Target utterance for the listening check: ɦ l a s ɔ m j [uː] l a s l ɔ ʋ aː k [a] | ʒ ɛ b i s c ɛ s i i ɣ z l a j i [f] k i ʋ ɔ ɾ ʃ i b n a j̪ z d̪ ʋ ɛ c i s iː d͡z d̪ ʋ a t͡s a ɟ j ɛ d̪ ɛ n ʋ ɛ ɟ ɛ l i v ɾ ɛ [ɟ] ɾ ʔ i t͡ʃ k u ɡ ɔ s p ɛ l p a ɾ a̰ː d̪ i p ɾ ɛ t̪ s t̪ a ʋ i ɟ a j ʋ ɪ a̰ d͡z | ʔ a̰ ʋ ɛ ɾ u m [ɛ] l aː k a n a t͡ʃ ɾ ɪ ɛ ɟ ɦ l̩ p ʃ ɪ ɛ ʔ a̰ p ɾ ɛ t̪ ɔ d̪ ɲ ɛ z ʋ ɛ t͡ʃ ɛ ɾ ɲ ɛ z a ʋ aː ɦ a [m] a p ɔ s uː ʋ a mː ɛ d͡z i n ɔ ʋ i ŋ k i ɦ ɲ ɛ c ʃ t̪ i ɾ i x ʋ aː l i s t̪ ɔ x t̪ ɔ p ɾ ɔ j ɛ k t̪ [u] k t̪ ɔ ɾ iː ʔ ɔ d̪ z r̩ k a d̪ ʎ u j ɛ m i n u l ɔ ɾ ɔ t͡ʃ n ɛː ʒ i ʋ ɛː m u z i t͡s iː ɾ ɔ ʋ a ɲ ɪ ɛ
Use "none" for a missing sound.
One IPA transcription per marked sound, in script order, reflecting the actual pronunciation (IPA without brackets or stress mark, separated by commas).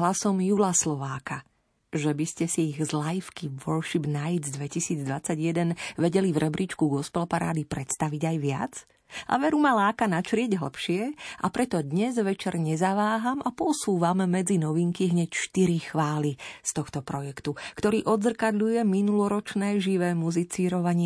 u, a, f, b, a, m, u